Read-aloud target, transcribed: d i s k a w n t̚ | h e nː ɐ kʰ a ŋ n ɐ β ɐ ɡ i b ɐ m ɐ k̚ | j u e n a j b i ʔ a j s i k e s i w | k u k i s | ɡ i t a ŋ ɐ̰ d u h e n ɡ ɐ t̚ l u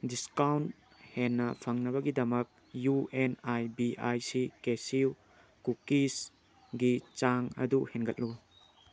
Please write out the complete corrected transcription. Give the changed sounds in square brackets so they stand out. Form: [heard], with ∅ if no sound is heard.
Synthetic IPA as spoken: d i s k a w n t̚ | h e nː ɐ [pʰ] a ŋ n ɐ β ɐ ɡ i [d] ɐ m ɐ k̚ | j u e n a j b i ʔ a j s i k e s i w | k u k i s | ɡ i [t͡ʃ] a ŋ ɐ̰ d u h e n ɡ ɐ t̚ l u